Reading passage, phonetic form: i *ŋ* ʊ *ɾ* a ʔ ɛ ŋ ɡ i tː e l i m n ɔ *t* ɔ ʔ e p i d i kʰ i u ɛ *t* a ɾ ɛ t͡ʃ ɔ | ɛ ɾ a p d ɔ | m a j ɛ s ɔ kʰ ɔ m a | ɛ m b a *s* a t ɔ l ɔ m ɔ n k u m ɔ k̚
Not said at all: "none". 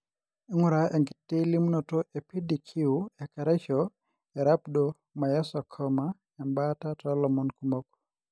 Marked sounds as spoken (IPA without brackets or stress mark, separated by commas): ŋ, ɾ, t, k, t